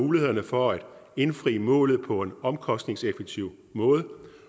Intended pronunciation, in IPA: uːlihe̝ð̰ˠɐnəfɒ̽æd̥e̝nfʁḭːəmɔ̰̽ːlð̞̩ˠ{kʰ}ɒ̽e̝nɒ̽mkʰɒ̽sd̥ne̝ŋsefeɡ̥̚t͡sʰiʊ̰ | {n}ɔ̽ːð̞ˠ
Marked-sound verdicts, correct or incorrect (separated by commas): incorrect, incorrect